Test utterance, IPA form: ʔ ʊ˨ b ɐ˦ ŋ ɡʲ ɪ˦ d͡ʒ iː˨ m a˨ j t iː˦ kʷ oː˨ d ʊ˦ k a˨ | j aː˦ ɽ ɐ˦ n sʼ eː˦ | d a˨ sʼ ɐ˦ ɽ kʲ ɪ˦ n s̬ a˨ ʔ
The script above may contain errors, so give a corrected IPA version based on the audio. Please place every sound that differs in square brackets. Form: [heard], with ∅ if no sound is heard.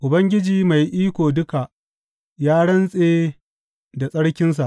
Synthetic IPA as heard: ʔ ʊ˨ b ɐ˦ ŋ ɡʲ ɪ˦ d͡ʒ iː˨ m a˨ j [ʔ] iː˦ kʷ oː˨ d ʊ˦ k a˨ | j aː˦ ɽ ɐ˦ n sʼ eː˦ | d a˨ sʼ ɐ˦ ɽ kʲ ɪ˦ n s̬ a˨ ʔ